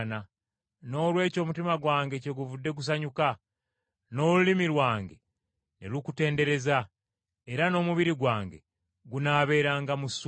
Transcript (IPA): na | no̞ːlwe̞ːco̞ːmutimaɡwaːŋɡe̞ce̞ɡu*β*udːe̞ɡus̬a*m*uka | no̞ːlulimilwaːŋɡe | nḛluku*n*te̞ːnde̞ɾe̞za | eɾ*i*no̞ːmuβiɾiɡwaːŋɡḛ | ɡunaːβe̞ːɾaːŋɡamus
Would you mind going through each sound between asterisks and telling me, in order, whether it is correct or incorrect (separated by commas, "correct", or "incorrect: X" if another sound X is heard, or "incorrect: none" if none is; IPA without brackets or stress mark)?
incorrect: v, incorrect: ɲ, incorrect: none, incorrect: a